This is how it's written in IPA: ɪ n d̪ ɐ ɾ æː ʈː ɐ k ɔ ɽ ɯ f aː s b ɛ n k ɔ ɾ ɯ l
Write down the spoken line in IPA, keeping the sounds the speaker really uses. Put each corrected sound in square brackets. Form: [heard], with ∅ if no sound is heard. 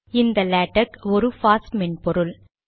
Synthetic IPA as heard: ɪ n d̪ ɐ [l] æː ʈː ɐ k ɔ [ɾ] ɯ f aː s [m] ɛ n [p] ɔ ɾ ɯ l